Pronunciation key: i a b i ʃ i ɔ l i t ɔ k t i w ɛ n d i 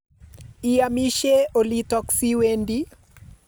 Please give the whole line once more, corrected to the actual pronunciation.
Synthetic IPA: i a m i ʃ ɛ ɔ l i t ɔ k s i w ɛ n d i